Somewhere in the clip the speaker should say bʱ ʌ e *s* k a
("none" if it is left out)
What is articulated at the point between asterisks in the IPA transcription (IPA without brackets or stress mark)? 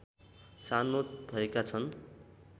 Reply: none